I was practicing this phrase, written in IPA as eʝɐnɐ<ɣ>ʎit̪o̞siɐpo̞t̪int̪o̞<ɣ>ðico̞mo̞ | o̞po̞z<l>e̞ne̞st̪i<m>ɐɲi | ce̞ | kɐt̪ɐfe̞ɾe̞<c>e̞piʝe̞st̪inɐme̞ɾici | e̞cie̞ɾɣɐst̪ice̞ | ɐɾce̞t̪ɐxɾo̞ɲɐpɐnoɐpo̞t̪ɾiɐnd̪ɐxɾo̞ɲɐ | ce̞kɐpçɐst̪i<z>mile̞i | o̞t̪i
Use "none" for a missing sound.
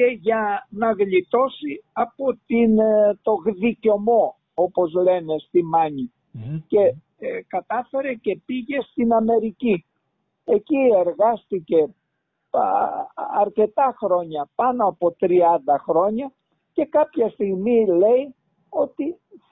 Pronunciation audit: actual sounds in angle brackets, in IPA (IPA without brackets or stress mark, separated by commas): ɣ, ɣ, l, m, c, ɣ